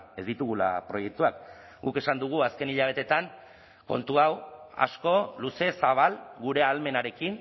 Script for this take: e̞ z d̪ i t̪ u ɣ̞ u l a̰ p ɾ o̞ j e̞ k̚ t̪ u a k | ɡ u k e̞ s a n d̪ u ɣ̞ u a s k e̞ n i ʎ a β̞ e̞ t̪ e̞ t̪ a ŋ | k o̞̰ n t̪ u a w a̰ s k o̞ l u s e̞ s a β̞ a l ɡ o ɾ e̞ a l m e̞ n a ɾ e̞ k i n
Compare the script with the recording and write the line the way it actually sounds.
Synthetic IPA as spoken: e̞ z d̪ i t̪ u ɣ̞ u l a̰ p ɾ o̞ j e̞ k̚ t̪ u a k | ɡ u k e̞ s a n d̪ u ɣ̞ u a s k e̞ n i ʎ a β̞ e̞ t̪ e̞ t̪ a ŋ | k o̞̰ n t̪ u a w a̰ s k o̞ l u s e̞ s a β̞ a l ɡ u ɾ e̞ a l m e̞ n a ɾ e̞ k i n

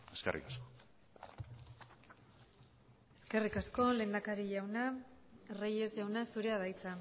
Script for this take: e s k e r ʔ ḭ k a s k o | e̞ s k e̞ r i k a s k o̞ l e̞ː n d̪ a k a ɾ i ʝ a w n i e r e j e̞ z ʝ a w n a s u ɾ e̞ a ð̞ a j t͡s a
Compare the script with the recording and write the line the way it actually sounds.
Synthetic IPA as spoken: e s k e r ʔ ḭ k a s k o | e̞ s k e̞ r i k a s k o̞ l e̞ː n d̪ a k a ɾ i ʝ a w n a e r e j e̞ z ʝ a w n a s u ɾ e̞ a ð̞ a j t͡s a

